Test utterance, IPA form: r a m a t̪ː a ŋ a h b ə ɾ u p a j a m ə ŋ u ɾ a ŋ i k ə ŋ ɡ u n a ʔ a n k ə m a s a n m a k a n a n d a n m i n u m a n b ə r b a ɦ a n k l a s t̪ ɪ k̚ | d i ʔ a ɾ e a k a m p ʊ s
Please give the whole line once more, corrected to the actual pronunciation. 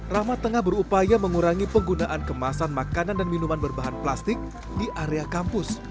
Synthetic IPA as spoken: r a m a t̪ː ə ŋ a h b ə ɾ u p a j a m ə ŋ u ɾ a ŋ i p ə ŋ ɡ u n a ʔ a n k ə m a s a n m a k a n a n d a n m i n u m a n b ə r b a ɦ a n p l a s t̪ ɪ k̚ | d i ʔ a ɾ e a k a m p ʊ s